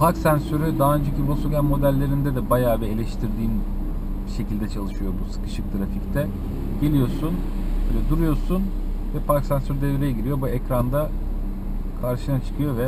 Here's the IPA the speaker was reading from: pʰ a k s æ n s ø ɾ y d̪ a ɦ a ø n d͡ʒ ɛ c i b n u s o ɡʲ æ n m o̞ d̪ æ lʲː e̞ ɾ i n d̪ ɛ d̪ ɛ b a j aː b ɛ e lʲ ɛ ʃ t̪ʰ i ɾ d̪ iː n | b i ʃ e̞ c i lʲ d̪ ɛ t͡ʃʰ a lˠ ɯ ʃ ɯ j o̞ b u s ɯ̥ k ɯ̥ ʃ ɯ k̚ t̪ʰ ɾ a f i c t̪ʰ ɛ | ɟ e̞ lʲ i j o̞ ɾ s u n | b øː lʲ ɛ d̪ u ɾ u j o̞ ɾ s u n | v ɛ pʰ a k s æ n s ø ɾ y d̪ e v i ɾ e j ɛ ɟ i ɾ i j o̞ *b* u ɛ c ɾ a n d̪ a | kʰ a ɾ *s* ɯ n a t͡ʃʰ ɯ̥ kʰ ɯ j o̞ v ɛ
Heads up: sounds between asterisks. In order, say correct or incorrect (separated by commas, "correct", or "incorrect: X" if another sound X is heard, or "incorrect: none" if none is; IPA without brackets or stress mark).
correct, incorrect: ʃ